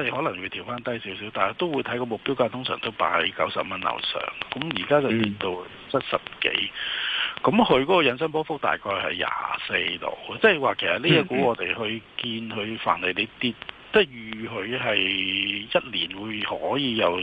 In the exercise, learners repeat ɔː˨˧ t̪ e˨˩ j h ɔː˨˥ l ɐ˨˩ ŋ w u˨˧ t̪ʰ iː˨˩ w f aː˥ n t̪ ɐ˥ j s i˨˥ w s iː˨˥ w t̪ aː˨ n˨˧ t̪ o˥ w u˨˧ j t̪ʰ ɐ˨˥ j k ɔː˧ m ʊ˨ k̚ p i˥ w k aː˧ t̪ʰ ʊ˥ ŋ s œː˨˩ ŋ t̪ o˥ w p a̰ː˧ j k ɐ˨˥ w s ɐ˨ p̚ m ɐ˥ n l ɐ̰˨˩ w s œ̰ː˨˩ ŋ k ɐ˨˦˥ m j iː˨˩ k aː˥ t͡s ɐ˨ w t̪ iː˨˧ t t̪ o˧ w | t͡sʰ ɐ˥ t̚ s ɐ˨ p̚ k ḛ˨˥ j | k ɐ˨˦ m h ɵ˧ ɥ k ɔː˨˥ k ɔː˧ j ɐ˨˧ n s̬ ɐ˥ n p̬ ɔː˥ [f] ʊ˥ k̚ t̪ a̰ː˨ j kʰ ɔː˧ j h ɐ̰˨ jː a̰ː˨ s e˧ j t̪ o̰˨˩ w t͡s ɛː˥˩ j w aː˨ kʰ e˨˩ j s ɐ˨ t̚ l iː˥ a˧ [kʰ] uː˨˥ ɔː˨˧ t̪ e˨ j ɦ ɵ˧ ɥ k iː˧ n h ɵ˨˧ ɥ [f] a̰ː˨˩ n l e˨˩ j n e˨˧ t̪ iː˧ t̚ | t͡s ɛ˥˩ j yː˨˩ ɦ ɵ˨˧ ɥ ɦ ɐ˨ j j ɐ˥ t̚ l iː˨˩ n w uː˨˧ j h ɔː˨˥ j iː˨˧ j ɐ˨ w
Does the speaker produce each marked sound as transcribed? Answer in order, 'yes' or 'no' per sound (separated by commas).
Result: yes, no, yes